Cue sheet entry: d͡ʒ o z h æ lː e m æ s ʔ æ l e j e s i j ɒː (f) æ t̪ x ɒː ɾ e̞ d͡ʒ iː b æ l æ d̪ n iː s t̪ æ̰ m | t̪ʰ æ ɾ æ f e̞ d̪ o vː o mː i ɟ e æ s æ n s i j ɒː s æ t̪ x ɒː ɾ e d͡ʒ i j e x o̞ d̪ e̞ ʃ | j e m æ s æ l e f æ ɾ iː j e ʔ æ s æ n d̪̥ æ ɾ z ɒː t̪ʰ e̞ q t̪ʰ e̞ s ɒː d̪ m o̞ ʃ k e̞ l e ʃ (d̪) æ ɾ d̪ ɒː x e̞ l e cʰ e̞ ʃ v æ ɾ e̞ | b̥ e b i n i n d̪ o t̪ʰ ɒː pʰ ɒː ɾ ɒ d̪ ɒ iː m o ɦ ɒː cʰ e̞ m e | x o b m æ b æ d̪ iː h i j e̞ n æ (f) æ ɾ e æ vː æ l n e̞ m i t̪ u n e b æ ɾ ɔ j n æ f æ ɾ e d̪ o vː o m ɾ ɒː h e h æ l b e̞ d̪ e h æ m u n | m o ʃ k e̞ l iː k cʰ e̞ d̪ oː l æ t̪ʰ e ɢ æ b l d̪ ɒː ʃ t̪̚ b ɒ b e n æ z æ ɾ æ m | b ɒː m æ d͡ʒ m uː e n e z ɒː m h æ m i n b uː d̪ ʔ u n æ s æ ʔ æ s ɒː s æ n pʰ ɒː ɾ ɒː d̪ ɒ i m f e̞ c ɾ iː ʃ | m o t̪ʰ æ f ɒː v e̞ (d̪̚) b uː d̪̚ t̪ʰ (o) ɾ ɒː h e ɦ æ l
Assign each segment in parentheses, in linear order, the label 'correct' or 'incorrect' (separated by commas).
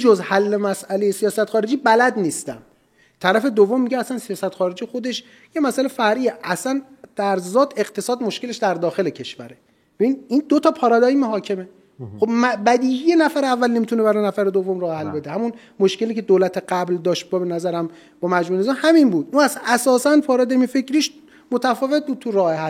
incorrect, correct, correct, incorrect, incorrect